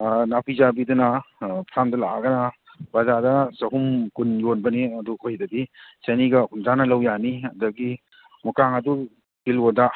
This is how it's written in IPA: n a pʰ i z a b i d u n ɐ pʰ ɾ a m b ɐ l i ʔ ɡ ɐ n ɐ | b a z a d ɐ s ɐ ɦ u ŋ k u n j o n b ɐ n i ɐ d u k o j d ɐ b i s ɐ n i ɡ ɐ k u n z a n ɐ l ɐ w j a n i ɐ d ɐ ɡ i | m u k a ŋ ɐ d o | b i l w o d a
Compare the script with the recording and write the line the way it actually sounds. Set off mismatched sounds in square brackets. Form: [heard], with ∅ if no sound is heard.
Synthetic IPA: n a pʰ i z a b i d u n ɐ pʰ ɾ a m [d] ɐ l [a] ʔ ɡ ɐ n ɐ | b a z a d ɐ s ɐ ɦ u [m] k u n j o n b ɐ n i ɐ d u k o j d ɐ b i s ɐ n i ɡ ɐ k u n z a n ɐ l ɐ w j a n i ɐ d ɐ ɡ i | m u k a ŋ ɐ d [u] | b i l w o d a